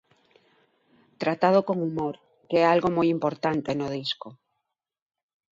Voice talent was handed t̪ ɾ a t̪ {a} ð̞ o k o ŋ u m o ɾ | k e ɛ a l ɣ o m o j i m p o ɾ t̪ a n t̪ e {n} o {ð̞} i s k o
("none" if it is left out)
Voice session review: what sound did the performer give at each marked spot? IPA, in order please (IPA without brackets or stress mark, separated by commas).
a, n, ð̞